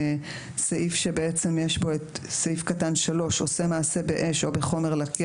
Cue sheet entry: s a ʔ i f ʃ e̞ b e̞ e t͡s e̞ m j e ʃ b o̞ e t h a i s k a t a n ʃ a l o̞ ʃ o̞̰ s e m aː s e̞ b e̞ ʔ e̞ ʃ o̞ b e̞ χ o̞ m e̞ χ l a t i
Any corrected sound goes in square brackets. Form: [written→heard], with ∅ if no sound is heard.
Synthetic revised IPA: s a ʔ i f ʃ e̞ b e̞ e t͡s e̞ m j e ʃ b o̞ e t [h→s] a i [s→f] k a t a n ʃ a l o̞ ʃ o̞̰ s e m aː s e̞ b e̞ ʔ e̞ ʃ o̞ b e̞ χ o̞ m e̞ [χ→ʁ] l a [t→k] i